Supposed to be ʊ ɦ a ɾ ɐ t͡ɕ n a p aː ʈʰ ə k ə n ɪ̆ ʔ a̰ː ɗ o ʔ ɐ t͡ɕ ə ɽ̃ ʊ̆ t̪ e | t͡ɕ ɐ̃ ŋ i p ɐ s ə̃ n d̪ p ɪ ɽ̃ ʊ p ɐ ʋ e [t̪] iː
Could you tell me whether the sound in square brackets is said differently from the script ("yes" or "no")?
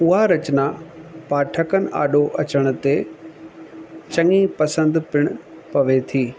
yes